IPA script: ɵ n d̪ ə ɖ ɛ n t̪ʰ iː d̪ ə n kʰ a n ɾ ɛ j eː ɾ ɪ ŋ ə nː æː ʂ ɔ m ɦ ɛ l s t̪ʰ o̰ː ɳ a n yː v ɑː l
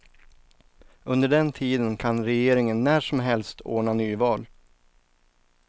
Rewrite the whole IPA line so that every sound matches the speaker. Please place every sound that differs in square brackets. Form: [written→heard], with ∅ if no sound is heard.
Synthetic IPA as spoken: ɵ n d̪ ə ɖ ɛ n t̪ʰ iː d̪ ə n kʰ a n ɾ ɛ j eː ɾ ɪ ŋ ə nː æː ʂ ɔ m ɦ ɛ l s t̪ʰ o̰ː ɳ a n yː v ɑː l